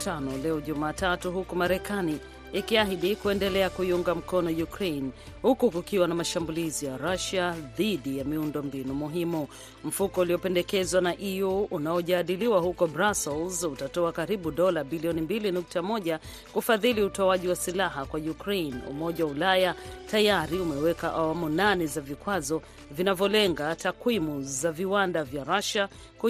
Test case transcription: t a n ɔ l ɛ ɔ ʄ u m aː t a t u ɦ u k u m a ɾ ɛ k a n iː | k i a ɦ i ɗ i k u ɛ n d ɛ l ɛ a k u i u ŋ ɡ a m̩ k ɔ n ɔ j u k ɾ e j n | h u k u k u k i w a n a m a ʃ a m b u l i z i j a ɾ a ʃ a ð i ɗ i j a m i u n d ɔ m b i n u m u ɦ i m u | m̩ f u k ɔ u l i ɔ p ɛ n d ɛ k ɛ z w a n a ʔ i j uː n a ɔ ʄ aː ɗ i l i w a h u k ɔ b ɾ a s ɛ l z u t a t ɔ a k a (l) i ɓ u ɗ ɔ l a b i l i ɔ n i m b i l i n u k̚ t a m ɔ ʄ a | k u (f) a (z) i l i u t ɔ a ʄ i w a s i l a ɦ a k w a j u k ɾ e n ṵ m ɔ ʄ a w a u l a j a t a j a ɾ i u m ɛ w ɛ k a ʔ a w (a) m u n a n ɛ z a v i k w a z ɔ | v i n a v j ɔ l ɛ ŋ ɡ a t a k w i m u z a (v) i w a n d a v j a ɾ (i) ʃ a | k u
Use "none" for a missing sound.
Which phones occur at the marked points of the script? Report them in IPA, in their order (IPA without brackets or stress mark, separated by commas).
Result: ɾ, f, ð, a, v, a